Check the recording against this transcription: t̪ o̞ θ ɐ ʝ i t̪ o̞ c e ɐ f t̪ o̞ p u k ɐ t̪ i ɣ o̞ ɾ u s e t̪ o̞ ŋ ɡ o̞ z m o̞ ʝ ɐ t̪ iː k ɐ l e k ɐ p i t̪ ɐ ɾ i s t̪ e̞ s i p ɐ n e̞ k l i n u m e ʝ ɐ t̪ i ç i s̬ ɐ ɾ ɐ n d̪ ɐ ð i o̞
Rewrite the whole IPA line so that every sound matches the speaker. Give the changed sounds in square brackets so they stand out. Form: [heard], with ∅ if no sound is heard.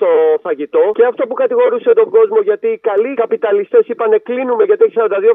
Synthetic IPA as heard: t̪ o̞ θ ɐ ʝ i t̪ o̞ c e ɐ f t̪ o̞ p u k ɐ t̪ i ɣ o̞ ɾ u s e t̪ o̞ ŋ ɡ o̞ z m o̞ ʝ ɐ t̪ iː k ɐ l [i] k ɐ p i t̪ ɐ [l] i s t̪ e̞ s i p ɐ n e̞ k l i n u m e ʝ ɐ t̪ i ç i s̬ ɐ ɾ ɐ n d̪ ɐ ð i o̞